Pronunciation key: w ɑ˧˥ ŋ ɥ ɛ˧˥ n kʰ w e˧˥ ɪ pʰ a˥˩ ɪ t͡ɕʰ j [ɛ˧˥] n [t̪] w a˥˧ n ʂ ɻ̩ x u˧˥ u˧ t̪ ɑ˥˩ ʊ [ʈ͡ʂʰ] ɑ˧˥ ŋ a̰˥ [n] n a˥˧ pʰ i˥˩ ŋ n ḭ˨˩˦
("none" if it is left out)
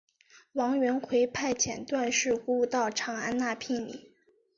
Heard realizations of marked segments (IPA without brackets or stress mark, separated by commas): ɛ˨˩, t̪, ʈ͡ʂʰ, n